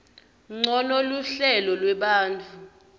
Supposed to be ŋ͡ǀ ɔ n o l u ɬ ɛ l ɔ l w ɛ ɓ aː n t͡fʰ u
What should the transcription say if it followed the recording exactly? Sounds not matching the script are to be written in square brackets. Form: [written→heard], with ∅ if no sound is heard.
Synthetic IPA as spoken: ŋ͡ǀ ɔ n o l u ɬ ɛ l ɔ l w ɛ ɓ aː n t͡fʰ u